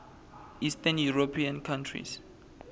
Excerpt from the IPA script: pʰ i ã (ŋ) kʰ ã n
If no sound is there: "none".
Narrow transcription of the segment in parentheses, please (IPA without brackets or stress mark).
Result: n